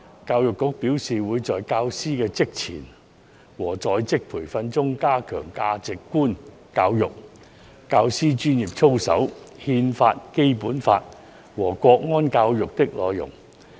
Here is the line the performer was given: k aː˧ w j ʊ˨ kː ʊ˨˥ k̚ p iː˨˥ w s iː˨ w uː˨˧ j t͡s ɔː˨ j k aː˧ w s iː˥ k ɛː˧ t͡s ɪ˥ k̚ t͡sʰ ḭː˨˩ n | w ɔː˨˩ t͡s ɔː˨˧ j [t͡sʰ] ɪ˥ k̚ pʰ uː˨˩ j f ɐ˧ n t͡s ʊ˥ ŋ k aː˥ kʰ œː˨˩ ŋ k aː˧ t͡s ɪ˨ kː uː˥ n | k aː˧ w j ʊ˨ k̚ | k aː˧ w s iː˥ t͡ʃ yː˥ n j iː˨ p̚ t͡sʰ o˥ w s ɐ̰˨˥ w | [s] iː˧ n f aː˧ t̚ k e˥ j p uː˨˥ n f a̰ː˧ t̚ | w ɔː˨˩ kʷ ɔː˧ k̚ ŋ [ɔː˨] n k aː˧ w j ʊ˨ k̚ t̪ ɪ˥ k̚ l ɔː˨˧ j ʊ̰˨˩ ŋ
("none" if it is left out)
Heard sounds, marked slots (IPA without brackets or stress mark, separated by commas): t͡s, h, ɔː˥